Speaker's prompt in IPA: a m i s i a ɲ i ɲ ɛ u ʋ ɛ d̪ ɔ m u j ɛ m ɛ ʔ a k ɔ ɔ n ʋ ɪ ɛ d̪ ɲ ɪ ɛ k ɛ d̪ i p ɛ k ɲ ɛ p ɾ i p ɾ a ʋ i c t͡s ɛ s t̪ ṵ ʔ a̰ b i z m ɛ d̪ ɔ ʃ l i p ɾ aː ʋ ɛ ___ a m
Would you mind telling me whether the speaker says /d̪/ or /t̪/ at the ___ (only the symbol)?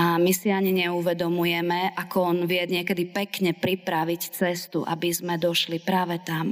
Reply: t̪